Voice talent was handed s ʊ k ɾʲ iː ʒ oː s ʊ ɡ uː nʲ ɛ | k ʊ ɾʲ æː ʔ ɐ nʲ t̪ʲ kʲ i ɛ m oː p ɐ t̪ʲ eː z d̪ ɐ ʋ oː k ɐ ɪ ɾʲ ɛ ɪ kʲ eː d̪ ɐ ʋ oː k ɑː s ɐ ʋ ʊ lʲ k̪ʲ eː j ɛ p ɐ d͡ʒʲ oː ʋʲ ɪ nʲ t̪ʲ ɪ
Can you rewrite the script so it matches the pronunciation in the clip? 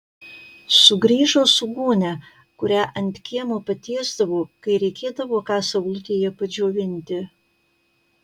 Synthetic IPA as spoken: s ʊ ɡ ɾʲ iː ʒ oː s ʊ ɡ uː nʲ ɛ | k ʊ ɾʲ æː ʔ ɐ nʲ t̪ʲ kʲ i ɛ m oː p ɐ t̪ʲ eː z d̪ ɐ ʋ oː k ɐ ɪ ɾʲ ɛ ɪ kʲ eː d̪ ɐ ʋ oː k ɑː s ɐ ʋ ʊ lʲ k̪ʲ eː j ɛ p ɐ d͡ʒʲ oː ʋʲ ɪ nʲ t̪ʲ ɪ